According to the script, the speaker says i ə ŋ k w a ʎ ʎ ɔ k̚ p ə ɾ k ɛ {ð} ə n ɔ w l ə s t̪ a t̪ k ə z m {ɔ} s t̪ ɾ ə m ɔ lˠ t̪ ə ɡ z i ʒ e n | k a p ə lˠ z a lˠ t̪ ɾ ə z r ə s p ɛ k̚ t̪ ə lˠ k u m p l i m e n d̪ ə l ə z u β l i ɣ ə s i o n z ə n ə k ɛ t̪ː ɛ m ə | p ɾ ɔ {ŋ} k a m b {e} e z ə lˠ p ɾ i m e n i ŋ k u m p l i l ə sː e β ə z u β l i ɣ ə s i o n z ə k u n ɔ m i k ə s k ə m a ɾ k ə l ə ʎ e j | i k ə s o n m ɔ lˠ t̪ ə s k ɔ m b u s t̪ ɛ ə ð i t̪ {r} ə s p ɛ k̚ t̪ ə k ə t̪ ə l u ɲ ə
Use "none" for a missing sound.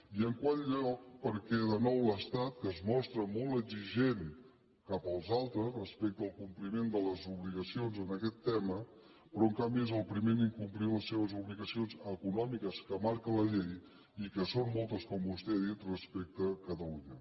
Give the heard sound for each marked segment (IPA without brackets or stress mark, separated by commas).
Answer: ð, ɔ, ŋ, i, r